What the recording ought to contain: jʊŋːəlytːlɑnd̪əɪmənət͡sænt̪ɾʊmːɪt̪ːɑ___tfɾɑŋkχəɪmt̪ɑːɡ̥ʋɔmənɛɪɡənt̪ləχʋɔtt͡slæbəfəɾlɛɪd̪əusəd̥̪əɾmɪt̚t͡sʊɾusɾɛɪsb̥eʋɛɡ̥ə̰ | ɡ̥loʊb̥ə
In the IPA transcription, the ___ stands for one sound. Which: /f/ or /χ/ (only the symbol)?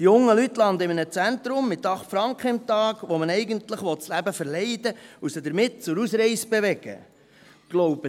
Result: χ